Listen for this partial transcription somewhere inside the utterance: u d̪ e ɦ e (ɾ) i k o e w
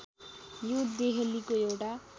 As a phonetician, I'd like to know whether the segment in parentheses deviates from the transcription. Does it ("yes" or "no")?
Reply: yes